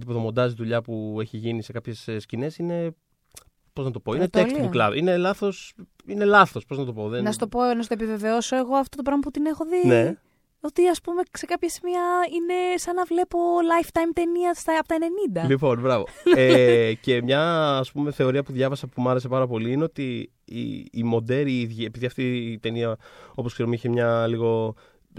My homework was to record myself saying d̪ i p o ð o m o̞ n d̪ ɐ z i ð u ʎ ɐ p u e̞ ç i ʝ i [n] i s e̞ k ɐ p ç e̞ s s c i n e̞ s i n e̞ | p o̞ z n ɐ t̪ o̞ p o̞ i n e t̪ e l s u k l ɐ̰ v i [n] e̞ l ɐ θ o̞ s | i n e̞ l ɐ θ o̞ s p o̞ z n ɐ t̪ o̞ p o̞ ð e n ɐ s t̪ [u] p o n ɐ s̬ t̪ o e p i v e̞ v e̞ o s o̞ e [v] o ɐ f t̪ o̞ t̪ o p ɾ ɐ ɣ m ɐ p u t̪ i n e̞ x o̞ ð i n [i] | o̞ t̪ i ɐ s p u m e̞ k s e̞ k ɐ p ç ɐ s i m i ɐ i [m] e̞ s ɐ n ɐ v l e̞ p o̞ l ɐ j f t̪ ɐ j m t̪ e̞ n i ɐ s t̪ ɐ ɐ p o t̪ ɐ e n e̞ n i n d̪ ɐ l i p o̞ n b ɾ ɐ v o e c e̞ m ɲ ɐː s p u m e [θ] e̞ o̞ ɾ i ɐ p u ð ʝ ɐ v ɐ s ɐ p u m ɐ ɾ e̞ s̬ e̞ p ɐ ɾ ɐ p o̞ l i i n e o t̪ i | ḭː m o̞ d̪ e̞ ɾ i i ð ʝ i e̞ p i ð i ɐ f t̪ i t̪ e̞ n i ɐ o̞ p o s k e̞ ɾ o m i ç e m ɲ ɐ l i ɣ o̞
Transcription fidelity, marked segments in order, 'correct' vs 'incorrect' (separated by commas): correct, correct, incorrect, incorrect, incorrect, incorrect, correct